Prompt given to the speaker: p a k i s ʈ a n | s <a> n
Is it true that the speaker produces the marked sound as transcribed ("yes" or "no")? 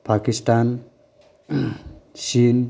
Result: no